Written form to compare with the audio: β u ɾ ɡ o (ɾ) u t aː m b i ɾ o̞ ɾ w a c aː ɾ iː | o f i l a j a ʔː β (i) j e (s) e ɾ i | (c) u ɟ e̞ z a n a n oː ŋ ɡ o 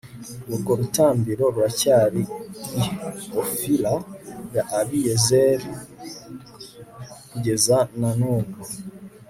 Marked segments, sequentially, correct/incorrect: correct, correct, incorrect, incorrect

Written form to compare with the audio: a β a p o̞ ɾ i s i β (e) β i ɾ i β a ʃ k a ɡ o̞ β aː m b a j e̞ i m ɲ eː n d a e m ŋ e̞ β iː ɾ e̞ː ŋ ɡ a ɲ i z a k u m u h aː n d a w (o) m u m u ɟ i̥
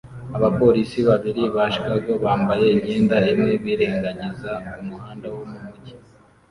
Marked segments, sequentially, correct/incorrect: incorrect, correct

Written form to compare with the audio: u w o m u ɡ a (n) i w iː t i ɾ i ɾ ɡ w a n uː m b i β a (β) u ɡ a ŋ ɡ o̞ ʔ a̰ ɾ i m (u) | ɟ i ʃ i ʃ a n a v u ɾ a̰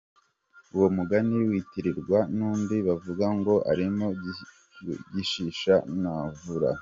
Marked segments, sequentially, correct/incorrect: correct, incorrect, incorrect

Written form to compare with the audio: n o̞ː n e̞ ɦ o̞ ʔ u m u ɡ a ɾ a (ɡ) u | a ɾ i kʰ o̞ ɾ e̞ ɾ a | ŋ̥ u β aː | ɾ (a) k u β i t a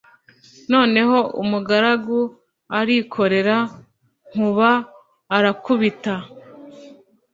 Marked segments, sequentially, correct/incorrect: correct, correct

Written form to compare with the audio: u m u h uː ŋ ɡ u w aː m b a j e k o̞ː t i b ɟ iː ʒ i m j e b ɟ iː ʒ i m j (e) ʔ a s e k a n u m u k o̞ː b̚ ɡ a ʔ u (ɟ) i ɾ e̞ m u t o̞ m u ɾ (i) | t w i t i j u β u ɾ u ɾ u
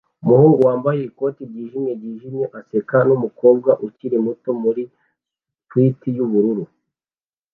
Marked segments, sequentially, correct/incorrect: correct, incorrect, correct

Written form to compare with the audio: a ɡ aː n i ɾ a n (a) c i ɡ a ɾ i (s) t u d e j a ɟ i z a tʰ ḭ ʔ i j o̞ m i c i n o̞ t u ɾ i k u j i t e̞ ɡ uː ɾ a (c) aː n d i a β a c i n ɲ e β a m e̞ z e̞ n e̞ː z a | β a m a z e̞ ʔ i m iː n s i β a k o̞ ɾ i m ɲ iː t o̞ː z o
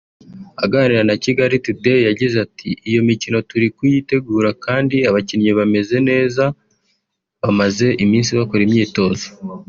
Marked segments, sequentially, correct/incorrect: correct, incorrect, incorrect

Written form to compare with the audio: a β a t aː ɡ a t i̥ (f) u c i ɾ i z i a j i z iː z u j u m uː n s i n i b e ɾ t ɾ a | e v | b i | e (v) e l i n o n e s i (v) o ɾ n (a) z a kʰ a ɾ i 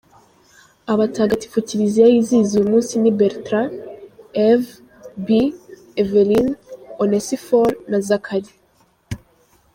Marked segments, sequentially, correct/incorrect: correct, correct, incorrect, correct

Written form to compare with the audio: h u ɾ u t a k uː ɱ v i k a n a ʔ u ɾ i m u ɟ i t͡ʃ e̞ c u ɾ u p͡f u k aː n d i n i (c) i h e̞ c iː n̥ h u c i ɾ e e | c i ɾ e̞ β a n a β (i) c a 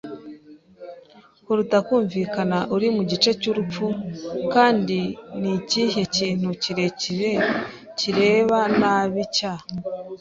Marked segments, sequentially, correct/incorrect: correct, correct

